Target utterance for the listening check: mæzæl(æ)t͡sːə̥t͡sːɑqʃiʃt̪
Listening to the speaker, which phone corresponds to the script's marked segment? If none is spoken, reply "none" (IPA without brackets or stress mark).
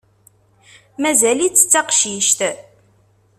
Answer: i